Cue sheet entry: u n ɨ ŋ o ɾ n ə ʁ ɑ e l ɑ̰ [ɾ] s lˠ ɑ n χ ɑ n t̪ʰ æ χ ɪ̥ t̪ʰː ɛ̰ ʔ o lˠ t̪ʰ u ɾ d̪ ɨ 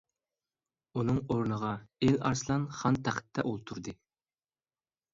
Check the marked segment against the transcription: correct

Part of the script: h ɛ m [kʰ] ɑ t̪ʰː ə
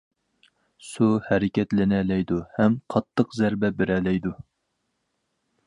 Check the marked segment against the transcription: incorrect: qʰ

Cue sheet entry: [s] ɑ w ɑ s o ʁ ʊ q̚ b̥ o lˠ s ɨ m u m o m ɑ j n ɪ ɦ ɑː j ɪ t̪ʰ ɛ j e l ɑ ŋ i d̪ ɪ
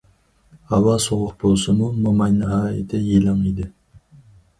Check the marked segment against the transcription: incorrect: h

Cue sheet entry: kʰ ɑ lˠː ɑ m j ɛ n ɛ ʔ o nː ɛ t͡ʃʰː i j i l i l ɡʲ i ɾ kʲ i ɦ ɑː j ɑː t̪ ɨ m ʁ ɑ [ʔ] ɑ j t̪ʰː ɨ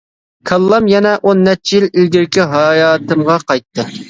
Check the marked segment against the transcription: incorrect: q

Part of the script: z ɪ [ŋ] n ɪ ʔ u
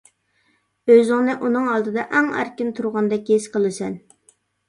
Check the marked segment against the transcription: correct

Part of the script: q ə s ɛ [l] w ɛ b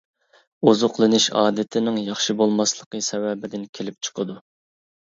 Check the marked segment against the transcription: incorrect: none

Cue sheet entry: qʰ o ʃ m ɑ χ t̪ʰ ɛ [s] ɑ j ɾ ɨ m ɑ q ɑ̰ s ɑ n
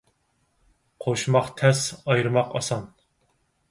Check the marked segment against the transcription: correct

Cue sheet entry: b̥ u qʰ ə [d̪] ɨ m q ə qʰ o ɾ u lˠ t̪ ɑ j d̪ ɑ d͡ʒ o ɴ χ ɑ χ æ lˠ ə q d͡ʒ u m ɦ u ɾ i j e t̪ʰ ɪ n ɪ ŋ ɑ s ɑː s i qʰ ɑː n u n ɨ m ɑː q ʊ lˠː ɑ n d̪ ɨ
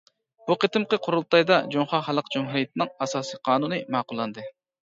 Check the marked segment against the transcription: incorrect: t̪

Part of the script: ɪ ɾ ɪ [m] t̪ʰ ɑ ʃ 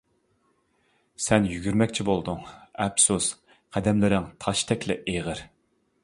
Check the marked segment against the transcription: incorrect: ŋ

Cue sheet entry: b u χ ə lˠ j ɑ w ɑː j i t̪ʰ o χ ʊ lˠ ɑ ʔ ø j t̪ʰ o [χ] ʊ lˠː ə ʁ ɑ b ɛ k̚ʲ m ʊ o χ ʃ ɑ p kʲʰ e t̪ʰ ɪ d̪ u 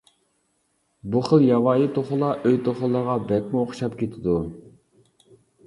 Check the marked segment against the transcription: correct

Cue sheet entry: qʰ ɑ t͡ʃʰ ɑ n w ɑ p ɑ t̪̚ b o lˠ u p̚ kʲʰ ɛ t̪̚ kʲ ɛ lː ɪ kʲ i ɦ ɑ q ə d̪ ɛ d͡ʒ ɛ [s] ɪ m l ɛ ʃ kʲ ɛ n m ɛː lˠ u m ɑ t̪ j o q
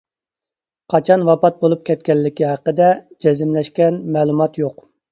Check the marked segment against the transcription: incorrect: z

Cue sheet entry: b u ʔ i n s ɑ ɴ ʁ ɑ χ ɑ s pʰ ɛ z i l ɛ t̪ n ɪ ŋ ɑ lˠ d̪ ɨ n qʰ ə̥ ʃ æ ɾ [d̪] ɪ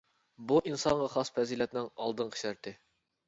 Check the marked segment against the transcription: incorrect: t̪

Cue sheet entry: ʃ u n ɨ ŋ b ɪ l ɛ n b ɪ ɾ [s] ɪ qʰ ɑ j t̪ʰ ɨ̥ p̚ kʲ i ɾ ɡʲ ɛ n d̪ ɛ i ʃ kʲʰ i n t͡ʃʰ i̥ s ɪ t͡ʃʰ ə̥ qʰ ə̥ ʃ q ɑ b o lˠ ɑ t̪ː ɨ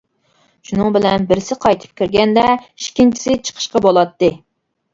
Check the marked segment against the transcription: correct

